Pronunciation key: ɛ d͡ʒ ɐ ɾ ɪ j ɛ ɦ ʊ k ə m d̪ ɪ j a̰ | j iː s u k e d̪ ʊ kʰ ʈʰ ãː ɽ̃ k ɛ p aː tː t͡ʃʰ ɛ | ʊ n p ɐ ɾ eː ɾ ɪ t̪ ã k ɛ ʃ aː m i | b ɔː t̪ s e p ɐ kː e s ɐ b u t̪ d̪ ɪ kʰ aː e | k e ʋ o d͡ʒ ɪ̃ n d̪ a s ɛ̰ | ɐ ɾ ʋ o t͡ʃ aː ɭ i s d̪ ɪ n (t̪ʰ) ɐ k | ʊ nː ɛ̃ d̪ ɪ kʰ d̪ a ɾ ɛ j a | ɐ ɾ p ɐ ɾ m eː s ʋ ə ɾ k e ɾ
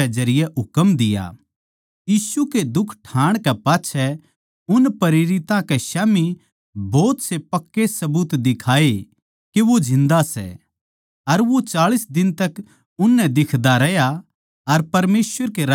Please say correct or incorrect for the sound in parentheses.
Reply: incorrect